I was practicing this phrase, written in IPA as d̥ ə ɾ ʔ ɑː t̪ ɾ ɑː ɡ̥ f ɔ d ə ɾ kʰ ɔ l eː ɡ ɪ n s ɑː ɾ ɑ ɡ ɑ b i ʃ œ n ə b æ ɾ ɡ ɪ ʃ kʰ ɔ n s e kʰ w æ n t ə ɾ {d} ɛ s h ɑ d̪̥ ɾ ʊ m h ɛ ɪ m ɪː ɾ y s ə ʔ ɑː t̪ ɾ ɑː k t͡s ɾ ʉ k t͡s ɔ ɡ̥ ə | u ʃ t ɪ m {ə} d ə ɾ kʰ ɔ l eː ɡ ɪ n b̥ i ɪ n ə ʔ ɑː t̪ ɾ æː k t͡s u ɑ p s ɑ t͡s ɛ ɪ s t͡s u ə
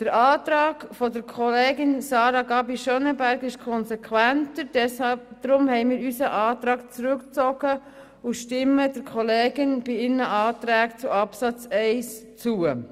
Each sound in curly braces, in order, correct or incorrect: correct, correct

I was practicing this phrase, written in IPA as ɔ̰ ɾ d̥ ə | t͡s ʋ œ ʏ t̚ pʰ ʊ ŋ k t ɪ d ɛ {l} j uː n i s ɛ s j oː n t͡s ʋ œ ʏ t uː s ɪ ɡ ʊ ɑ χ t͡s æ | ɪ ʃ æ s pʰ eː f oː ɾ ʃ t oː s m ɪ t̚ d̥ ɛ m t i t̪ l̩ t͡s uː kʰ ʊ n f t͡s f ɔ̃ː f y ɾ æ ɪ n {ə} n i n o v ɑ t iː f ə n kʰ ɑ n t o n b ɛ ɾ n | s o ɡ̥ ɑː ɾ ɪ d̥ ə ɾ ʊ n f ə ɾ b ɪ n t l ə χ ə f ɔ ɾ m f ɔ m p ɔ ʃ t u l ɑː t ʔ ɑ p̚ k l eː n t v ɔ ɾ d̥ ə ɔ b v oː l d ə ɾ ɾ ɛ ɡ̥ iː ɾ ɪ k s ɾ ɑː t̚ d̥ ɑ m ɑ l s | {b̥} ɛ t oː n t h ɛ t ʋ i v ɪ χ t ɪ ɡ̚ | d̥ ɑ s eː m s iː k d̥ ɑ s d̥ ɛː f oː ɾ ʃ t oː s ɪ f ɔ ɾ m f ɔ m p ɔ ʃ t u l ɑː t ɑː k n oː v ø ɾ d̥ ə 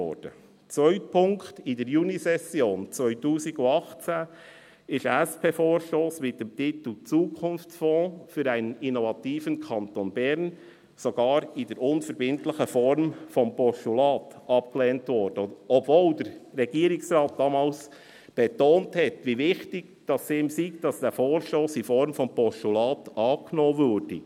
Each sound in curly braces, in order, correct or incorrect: incorrect: ɾ, correct, correct

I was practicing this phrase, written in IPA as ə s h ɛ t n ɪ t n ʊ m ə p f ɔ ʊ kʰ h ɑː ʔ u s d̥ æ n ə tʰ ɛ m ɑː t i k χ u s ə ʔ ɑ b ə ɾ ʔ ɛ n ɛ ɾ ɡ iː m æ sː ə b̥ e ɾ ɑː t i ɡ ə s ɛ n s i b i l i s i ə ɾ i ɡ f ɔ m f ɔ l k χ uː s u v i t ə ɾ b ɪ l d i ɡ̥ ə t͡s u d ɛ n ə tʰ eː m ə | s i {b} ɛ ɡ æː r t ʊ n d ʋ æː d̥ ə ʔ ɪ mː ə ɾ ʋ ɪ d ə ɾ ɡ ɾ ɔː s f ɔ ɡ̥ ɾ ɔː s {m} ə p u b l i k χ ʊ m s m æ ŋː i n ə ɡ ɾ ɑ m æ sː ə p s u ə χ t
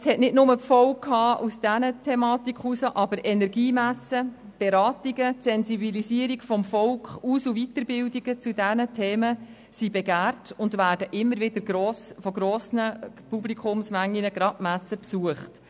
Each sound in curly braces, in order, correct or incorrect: correct, incorrect: n

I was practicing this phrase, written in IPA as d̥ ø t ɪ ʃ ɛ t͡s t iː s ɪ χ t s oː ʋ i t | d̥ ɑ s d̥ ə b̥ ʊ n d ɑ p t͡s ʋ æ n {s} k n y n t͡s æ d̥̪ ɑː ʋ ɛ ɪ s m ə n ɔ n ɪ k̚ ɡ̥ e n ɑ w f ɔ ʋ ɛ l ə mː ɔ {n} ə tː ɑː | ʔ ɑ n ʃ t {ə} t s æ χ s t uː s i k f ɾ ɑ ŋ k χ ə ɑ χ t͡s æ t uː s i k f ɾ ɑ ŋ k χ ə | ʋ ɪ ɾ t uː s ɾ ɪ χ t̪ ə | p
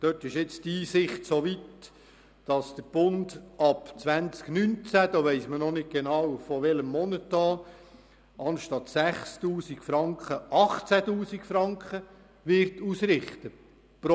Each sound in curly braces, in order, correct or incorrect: incorrect: t͡s, correct, incorrect: ɑ

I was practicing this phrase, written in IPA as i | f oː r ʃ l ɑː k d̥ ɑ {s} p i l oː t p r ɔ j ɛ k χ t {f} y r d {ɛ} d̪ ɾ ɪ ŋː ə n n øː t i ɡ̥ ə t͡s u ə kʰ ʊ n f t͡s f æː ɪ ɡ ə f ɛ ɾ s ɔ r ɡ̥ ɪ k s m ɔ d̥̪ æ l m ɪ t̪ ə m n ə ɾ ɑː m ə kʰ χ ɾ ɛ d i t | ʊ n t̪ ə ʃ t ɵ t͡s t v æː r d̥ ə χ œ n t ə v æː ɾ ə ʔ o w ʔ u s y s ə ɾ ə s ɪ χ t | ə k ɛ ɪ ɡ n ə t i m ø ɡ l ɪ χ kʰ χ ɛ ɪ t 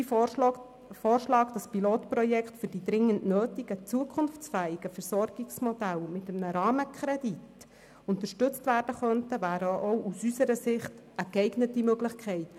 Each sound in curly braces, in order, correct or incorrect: correct, correct, incorrect: i

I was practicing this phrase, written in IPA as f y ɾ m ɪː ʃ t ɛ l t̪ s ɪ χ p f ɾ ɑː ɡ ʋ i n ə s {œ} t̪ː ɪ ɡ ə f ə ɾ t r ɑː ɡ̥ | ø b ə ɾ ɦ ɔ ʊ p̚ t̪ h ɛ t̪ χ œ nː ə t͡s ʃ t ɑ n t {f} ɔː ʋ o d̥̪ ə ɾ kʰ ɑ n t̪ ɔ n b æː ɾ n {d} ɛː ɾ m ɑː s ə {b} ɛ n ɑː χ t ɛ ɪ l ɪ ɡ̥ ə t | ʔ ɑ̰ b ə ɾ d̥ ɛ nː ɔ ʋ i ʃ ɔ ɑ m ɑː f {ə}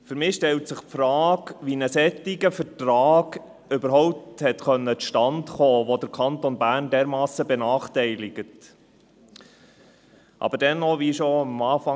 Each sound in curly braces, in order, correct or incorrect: incorrect: ɛ, incorrect: χ, correct, correct, incorrect: ɑ

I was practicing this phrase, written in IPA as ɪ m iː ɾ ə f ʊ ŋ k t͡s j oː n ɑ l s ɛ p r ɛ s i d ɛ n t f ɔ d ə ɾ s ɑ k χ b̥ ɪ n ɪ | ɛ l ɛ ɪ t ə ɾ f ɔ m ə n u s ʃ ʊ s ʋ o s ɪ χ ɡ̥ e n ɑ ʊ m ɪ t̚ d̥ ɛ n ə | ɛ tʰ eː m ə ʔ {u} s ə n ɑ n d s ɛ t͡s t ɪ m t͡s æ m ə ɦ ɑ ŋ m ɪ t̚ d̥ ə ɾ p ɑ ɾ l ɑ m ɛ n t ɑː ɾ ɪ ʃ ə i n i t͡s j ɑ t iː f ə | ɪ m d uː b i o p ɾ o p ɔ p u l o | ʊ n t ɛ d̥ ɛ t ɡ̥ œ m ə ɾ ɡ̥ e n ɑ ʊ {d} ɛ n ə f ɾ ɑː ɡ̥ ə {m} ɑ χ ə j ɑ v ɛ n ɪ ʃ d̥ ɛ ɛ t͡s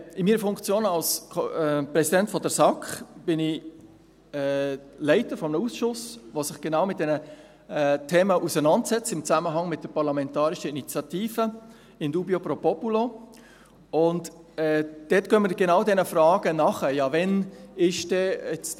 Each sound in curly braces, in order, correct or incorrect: correct, correct, incorrect: n

